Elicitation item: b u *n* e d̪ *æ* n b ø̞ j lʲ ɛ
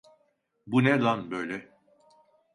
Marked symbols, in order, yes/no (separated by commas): yes, no